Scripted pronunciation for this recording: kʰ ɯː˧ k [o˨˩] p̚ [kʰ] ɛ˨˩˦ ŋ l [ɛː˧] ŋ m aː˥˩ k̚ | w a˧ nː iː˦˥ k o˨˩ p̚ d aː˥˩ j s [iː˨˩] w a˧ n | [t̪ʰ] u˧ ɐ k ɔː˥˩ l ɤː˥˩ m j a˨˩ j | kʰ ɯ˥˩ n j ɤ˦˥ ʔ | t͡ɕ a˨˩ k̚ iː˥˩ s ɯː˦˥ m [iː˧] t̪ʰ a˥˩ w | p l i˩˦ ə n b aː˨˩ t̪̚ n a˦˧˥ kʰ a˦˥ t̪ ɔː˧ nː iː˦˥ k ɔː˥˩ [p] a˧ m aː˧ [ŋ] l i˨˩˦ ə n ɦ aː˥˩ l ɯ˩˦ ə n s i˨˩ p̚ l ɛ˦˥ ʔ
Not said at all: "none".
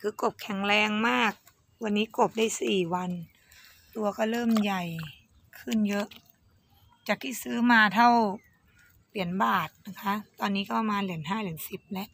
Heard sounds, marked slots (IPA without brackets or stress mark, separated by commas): o˨˩, kʰ, ɛː˧, iː˨˩, t̪, aː˧, p, n